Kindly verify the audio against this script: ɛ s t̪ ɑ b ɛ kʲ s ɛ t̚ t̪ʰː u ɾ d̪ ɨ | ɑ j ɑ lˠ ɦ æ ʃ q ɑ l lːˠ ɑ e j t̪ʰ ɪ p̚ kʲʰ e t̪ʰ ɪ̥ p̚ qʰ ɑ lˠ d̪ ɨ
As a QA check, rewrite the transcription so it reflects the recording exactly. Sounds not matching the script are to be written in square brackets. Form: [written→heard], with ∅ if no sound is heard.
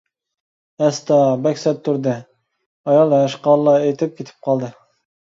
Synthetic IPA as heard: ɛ s t̪ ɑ b ɛ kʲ s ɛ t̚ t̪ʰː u ɾ d̪ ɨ | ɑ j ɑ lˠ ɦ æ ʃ q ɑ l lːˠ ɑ e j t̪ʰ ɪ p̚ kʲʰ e t̪ʰ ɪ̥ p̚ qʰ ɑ lˠ d̪ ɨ